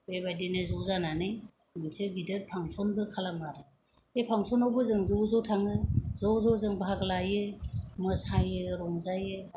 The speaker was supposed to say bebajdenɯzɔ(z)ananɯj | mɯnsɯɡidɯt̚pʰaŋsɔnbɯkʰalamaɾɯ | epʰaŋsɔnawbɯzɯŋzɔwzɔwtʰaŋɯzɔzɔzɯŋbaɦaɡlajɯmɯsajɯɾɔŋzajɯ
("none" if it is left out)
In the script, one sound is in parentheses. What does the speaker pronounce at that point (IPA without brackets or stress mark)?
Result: z